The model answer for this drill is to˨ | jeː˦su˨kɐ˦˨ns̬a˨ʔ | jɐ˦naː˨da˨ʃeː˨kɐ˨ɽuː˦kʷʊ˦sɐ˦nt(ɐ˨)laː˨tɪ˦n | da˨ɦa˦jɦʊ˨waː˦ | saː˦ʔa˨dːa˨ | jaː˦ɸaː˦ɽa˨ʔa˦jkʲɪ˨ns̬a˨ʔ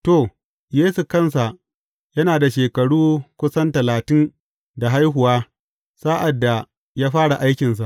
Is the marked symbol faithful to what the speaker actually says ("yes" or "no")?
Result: yes